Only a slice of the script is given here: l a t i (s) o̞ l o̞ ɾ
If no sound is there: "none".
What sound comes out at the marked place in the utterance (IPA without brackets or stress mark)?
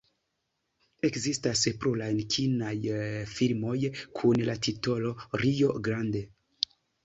t